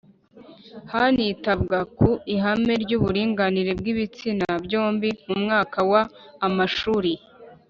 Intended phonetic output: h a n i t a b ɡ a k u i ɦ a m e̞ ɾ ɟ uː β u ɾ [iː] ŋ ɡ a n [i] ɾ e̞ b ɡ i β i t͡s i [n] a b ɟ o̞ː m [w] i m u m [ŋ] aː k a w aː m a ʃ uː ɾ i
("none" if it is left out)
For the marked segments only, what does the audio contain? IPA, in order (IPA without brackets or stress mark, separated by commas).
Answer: iː, i, n, b, ŋ